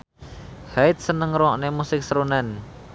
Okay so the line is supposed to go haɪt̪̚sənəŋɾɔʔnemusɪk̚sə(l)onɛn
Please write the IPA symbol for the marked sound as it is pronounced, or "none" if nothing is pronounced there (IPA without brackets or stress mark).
ɾ